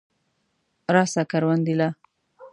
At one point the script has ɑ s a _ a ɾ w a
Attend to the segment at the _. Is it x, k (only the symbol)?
k